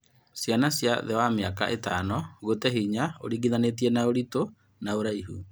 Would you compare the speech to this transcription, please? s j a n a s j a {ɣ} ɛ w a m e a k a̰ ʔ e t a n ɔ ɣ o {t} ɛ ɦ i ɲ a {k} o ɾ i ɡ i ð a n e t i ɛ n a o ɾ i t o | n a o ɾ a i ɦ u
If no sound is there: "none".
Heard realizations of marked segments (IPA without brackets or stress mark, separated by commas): ð, t, none